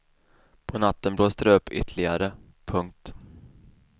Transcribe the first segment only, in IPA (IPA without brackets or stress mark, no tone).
pʰ